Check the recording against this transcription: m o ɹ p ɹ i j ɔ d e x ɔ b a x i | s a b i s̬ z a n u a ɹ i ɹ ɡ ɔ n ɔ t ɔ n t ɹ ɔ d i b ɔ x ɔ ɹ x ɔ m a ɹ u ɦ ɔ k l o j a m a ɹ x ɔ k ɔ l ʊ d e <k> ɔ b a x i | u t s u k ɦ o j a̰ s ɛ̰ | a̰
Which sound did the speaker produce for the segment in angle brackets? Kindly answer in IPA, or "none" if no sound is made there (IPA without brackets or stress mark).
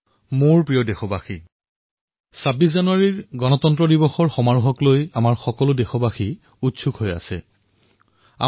x